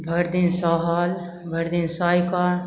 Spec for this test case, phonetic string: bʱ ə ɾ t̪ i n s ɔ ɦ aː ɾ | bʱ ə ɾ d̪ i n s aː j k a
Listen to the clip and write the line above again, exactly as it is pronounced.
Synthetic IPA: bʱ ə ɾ d̪ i n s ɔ ɦ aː l | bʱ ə ɾ d̪ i n s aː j k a

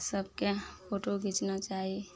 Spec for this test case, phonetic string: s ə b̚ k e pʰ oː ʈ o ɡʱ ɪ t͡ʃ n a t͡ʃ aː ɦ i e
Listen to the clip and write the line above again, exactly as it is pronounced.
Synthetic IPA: s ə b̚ k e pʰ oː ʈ o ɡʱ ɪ t͡ʃ n a t͡ʃ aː ɦ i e

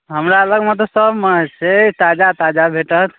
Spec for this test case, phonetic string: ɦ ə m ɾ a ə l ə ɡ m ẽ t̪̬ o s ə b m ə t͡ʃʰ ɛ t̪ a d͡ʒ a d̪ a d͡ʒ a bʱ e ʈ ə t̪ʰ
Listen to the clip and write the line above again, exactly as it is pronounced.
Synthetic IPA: ɦ ə m ɾ a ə l ə ɡ m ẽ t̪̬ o s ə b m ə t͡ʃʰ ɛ t̪ a d͡ʒ a t̪ a d͡ʒ a bʱ e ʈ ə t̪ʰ

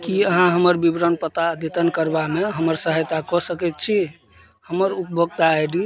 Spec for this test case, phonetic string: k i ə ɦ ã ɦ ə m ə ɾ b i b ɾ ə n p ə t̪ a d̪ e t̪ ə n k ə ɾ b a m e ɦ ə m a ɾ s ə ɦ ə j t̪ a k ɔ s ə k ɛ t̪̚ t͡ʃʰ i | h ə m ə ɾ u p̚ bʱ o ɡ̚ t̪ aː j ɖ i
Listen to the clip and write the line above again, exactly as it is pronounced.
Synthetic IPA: k i ə ɦ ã ɦ ə m ə ɾ b i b ɾ ə n p ə t̪ a d̪ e t̪ ə n k ə ɾ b a m e ɦ ə m ə ɾ s ə ɦ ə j t̪ a k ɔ s ə k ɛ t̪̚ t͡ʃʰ i | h ə m ə ɾ u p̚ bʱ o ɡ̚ t̪ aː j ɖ i

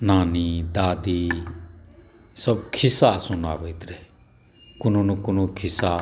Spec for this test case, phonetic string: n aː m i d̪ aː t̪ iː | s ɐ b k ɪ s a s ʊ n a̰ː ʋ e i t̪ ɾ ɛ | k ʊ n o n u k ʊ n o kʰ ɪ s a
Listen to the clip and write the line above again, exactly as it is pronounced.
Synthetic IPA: n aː n i d̪ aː d̪ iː | s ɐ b kʰ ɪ s a s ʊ n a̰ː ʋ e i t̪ ɾ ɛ | k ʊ n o n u k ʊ n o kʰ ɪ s a

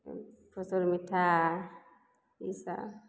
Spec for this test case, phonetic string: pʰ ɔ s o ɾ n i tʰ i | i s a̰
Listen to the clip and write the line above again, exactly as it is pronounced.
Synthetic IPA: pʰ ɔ s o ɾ m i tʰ a | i s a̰

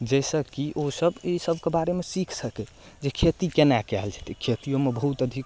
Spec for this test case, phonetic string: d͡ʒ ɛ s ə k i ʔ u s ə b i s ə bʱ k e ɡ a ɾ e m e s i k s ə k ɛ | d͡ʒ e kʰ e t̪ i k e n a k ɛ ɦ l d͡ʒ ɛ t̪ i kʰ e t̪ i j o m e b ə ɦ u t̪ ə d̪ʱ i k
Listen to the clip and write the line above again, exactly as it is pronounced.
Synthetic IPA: d͡ʒ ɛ s ə k i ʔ o s ə b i s ə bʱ k e b a ɾ e m e s i kʰ s ə k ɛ | d͡ʒ e kʰ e t̪ i k e n a k ɛ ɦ l d͡ʒ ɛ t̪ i kʰ e t̪ i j o m e b ə ɦ u t̪ ə d̪ʱ i k

